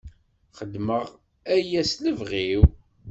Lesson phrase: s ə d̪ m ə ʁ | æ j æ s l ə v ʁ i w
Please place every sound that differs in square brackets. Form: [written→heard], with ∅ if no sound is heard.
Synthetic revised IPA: [s→χ] ə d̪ m ə ʁ | æ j æ s l ə v ʁ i w